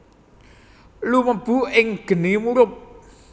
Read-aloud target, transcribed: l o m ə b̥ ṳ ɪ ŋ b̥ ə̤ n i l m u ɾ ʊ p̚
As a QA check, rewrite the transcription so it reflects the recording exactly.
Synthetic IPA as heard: l u m ə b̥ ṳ ɪ ŋ ɡ̥ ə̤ n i m u ɾ ʊ p̚

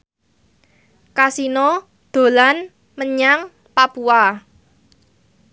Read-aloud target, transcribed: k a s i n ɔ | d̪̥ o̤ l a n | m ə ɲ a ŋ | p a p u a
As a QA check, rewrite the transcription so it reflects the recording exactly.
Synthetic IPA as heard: k a s i n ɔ | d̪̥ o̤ l a n | m ə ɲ a ŋ | p a p u a

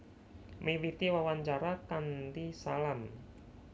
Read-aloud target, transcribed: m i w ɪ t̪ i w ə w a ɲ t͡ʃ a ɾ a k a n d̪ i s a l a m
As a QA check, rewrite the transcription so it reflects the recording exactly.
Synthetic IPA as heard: m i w i t̪ i w a w a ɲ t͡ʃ a ɾ a k a n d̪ i s a l a m

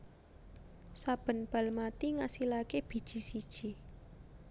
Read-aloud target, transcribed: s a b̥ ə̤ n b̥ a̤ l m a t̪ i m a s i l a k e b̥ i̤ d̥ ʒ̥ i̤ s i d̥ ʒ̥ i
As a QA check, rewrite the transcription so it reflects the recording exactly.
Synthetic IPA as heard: s a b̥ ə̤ n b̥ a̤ l m a t̪ i ŋ a s i l a k e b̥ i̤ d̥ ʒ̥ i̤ s i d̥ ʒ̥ i

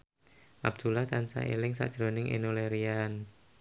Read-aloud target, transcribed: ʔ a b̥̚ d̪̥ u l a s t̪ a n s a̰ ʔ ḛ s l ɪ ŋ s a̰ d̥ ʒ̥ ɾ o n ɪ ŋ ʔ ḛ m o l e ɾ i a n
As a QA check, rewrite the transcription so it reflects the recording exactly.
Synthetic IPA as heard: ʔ a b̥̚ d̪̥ u l a h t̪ a n s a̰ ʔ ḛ l ɪ ŋ s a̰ d̥ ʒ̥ ɾ o n ɪ ŋ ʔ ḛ n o l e ɾ i a n

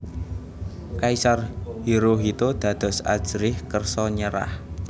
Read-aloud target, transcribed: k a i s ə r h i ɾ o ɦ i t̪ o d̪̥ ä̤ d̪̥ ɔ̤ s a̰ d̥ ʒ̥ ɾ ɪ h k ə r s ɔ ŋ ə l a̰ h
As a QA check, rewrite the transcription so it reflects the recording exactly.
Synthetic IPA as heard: k a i s a r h i ɾ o ɦ i t̪ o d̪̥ ä̤ d̪̥ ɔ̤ s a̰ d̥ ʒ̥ ɾ ɪ h k ə r s ɔ ɲ ə ɾ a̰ h

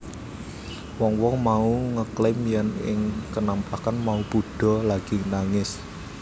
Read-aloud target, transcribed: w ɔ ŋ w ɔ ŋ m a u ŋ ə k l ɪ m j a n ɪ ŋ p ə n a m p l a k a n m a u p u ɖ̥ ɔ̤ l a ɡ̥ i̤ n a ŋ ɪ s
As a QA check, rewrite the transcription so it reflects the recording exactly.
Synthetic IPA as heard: w ɔ ŋ w ɔ ŋ m a u ŋ ə k l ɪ m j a n ɪ ŋ k ə n a m p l a k a n m a u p u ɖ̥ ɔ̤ l a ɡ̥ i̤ n a ŋ ɪ s

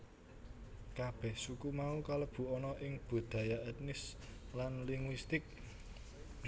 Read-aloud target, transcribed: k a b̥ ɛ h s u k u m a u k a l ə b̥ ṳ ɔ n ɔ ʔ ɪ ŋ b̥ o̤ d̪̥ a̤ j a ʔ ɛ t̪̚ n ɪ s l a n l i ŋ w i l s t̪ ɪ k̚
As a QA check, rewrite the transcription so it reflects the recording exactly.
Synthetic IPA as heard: k a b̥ ɛ h s u k u m a u k a l ə b̥ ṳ ɔ n ɔ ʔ ɪ ŋ b̥ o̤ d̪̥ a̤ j a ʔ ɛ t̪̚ n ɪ s l a n l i ŋ w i s t̪ ɪ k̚

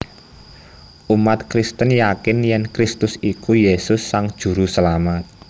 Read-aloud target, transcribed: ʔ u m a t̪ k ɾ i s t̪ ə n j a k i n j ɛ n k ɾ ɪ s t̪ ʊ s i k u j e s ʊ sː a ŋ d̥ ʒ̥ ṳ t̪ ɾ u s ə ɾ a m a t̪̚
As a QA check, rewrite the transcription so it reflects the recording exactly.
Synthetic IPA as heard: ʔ u m a t̪ k ɾ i s t̪ ə n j a k ɪ n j ɛ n k ɾ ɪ s t̪ ʊ s i k u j e s ʊ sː a ŋ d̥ ʒ̥ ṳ ɾ u s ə l a m a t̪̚

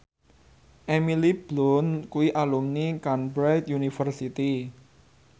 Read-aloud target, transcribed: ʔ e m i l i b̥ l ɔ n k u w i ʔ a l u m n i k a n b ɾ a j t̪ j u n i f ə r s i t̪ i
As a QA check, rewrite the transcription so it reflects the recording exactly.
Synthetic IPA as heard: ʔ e m i l i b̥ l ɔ n k u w i ʔ a l u m n i k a n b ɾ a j t̪ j u n i f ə r s i t̪ i

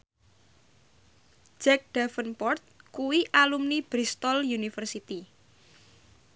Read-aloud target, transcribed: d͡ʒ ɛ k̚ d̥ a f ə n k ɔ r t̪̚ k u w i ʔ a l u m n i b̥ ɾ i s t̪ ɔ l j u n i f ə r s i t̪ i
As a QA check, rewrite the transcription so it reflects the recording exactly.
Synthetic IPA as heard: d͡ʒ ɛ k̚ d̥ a f ə n p ɔ r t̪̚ k u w i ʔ a l u m n i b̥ ɾ i s t̪ ɔ l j u n i f ə r s i t̪ i

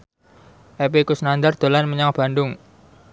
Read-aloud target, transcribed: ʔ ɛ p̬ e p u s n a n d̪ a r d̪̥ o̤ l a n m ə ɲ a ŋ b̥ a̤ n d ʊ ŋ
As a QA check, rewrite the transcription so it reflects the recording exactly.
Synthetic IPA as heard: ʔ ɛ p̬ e k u s n a n d̪ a r d̪̥ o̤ l a n m ə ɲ a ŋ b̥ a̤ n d ʊ ŋ

